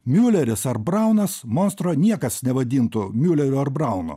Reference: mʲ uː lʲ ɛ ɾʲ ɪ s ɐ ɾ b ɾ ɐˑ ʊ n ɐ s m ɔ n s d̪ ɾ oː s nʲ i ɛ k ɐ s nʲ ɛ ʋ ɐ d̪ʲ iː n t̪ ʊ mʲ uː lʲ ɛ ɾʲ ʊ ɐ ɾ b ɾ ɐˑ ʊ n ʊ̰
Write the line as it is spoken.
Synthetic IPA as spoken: mʲ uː lʲ ɛ ɾʲ ɪ s ɐ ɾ b ɾ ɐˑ ʊ n ɐ s m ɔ n s t̪ ɾ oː nʲ i ɛ k ɐ s nʲ ɛ ʋ ɐ d̪ʲ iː n t̪ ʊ mʲ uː lʲ ɛ ɾʲ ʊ ɐ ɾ b ɾ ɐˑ ʊ n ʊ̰